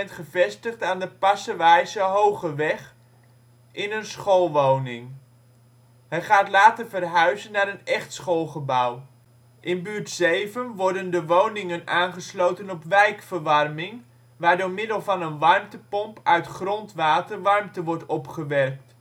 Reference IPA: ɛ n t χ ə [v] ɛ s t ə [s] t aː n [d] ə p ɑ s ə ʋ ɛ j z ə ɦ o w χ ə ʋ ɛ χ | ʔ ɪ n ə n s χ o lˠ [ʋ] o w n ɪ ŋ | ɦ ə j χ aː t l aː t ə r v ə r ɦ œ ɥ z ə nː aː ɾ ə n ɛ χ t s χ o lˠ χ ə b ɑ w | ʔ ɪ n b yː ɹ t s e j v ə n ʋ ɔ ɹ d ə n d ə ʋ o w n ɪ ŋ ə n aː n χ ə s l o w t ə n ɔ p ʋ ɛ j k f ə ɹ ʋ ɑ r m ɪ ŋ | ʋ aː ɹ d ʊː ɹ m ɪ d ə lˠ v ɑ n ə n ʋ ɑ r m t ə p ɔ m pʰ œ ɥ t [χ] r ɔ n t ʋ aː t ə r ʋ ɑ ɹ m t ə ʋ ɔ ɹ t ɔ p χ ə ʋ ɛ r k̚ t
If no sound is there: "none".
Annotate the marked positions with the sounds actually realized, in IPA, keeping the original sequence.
v, χ, d, ʋ, χ

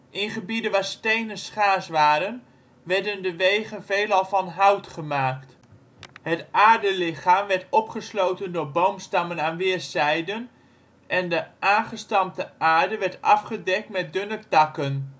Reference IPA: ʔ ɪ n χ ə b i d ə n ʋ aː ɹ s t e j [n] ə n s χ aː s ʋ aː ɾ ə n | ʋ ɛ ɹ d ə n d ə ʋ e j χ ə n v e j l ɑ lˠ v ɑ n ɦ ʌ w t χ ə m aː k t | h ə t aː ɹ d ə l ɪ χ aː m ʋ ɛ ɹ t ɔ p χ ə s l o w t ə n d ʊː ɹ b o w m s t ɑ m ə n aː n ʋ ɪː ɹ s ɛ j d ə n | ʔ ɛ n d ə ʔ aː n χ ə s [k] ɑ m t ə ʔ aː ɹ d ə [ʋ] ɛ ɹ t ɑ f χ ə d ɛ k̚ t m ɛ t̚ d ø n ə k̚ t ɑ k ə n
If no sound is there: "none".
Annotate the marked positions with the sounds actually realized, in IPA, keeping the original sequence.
n, t, ʋ

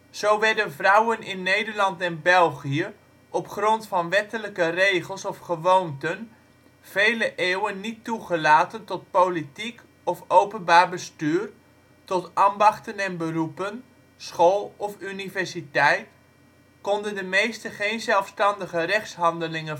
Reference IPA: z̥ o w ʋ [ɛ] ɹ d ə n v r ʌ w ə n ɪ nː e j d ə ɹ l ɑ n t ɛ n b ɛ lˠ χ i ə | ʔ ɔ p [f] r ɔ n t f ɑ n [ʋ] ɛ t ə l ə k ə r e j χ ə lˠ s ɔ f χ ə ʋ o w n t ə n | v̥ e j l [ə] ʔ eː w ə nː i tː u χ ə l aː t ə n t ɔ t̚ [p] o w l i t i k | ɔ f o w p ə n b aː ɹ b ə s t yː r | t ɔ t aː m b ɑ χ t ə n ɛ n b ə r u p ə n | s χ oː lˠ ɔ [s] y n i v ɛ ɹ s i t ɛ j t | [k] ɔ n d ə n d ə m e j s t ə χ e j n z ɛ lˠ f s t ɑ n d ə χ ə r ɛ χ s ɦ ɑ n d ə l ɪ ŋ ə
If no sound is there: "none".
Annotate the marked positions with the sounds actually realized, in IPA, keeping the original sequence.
ɛ, χ, ʋ, ə, p, f, k

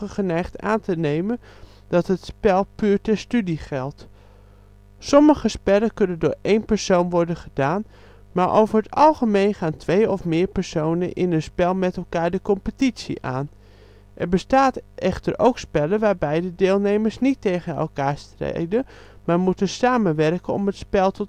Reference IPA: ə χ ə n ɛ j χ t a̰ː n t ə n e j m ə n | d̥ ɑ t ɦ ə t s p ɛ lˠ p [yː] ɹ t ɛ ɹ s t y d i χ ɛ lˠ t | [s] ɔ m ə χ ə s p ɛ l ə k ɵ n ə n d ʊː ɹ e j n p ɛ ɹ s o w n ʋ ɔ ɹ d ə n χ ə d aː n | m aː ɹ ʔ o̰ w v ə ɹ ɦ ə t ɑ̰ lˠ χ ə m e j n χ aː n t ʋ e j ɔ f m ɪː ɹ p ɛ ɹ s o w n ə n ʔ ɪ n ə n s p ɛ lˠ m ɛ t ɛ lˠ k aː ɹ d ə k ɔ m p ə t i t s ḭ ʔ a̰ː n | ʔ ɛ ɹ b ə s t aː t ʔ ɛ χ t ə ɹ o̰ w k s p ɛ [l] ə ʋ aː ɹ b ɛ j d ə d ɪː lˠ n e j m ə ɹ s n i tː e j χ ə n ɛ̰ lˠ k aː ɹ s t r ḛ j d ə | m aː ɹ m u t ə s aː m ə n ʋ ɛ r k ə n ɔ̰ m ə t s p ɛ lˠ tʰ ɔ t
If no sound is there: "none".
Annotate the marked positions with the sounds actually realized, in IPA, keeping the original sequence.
yː, s, l

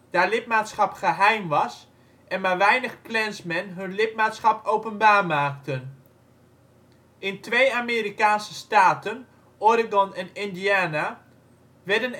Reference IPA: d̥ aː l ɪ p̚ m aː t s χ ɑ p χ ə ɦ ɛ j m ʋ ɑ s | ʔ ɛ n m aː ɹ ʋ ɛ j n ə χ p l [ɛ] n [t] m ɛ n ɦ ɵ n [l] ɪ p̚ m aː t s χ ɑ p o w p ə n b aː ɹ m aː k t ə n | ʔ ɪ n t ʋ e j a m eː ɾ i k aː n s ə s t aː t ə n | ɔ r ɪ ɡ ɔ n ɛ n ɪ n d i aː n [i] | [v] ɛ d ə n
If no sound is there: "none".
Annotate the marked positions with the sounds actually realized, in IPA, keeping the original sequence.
ɛ, s, l, a, ʋ

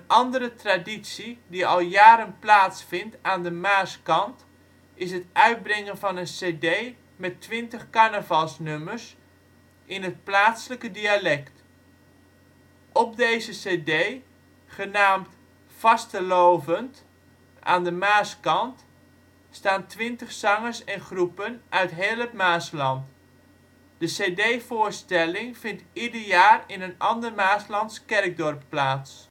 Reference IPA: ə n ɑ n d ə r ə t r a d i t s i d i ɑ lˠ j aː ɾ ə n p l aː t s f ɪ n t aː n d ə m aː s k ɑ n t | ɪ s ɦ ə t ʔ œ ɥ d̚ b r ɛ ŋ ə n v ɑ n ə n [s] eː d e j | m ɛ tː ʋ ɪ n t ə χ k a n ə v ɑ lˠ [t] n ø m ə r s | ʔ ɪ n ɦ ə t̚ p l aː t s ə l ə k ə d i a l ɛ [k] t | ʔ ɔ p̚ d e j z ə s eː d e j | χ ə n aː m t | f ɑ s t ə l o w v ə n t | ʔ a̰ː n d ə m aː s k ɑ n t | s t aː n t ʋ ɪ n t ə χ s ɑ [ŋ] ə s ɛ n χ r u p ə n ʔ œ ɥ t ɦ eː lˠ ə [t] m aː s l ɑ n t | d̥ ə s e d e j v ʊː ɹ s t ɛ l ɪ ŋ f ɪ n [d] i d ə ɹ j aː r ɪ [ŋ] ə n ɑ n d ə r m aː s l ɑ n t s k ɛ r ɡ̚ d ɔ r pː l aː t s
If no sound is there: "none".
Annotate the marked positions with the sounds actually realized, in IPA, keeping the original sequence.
s, s, k, ŋ, t, t, n

